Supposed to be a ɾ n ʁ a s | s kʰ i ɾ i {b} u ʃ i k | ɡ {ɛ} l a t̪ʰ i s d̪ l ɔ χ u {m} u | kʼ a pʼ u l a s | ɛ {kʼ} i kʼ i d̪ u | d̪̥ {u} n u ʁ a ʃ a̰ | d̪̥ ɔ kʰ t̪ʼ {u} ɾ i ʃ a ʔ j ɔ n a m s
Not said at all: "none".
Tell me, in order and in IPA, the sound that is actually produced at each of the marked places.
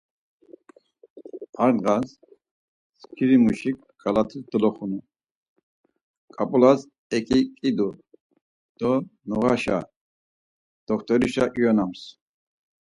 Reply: m, a, n, kʼ, ɔ, ɔ

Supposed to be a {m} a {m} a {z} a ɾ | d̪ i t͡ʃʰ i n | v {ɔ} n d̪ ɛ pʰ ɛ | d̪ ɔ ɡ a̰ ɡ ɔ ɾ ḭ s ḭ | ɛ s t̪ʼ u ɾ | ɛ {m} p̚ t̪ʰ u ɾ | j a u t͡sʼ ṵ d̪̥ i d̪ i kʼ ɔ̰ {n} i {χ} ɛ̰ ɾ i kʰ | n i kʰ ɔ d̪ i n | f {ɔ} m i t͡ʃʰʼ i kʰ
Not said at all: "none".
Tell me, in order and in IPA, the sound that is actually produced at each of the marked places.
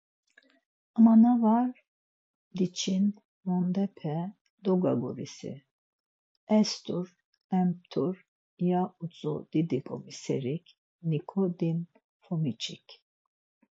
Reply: m, n, v, ɔ, m, m, s, ɔ

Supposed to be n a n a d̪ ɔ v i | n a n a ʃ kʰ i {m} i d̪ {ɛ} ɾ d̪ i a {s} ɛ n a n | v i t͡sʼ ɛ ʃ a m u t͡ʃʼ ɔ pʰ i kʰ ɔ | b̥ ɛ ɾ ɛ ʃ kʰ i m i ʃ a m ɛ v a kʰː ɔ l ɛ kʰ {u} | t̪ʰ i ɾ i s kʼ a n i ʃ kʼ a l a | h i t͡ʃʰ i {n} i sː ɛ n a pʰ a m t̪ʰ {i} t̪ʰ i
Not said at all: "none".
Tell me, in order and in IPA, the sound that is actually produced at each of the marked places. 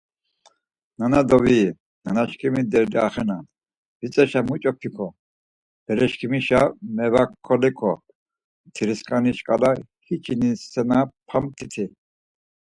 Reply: m, ɛ, χ, ɔ, n, i

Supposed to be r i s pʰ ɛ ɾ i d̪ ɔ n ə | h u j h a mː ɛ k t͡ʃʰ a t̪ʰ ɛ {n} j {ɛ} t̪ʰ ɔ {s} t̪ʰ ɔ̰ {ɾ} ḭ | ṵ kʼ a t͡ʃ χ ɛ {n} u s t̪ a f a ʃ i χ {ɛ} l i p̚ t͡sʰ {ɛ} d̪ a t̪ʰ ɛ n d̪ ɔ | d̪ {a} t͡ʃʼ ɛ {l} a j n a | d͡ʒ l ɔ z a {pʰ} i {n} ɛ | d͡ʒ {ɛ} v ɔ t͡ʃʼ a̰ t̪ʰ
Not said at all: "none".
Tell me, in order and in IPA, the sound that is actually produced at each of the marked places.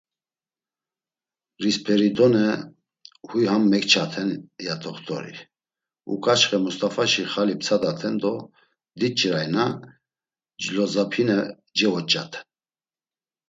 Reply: n, a, χ, ɾ, m, a, a, i, ɾ, pʰ, n, ɛ

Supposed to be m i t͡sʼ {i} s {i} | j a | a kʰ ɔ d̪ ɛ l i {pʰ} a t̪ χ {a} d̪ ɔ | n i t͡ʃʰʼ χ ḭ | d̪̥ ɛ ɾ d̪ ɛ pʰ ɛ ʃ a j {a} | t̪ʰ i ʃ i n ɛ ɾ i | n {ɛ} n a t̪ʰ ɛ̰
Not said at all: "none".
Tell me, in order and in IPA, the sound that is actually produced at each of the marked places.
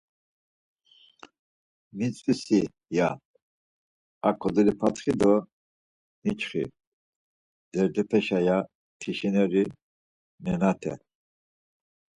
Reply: i, i, pʰ, i, a, ɛ

